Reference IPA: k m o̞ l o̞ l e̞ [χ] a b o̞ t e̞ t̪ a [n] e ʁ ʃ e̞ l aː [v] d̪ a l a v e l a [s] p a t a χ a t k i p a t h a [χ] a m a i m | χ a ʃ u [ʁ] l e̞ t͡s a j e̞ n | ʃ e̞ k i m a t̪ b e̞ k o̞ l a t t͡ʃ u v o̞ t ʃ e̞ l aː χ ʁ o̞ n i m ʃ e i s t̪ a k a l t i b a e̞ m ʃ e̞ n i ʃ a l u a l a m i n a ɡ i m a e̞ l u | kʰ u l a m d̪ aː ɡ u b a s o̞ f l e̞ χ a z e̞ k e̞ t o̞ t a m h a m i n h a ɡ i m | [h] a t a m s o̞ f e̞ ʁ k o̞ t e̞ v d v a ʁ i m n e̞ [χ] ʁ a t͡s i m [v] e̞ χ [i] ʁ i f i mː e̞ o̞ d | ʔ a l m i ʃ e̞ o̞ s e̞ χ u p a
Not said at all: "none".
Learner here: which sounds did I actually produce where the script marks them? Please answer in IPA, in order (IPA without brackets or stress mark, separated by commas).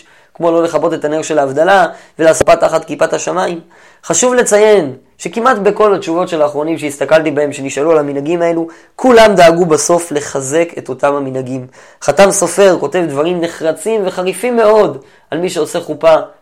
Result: χ, n, v, s, ʃ, v, χ, χ, v, a